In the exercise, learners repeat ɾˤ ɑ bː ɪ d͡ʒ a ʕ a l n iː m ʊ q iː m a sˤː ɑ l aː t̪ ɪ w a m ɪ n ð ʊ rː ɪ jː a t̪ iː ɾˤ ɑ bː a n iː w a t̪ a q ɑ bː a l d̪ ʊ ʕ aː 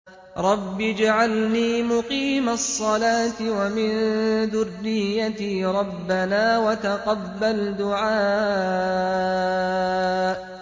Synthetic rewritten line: ɾˤ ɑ bː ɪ d͡ʒ a ʕ a l n iː m ʊ q iː m a sˤː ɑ l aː t̪ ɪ w a m ɪ n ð ʊ rː ɪ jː a t̪ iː ɾˤ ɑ bː a n aː w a t̪ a q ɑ bː a l d̪ ʊ ʕ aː